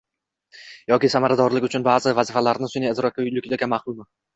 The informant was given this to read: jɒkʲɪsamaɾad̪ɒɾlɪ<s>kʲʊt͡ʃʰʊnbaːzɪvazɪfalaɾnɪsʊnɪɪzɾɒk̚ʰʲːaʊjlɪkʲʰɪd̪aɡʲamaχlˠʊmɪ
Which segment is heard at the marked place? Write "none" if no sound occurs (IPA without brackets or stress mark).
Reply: none